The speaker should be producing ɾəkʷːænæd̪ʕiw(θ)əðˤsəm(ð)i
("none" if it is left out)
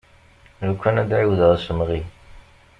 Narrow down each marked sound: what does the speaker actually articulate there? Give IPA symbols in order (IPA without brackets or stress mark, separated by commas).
ð, ʁ